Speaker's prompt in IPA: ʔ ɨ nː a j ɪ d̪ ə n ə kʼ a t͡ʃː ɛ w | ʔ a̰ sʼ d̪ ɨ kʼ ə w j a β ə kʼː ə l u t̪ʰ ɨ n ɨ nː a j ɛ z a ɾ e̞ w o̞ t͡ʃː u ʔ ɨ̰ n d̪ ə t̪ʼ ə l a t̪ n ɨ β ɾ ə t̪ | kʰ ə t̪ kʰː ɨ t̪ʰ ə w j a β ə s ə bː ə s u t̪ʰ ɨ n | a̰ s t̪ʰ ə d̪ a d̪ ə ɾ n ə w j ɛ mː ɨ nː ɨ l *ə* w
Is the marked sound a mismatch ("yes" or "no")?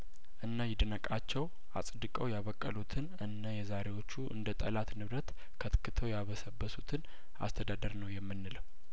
no